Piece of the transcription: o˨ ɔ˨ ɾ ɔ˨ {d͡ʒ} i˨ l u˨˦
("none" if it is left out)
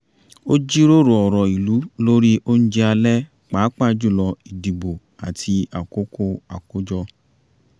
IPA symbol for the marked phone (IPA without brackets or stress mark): none